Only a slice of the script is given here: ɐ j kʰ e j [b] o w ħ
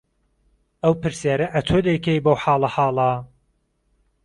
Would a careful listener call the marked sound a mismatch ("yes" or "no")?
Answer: no